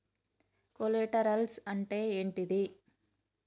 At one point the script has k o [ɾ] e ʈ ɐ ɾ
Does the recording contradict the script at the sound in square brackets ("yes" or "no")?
yes